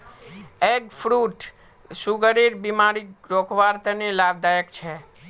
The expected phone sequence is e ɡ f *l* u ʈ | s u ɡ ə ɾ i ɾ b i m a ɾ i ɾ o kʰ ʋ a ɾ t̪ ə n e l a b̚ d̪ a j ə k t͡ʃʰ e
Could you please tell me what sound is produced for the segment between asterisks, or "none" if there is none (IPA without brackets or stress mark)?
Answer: ɾ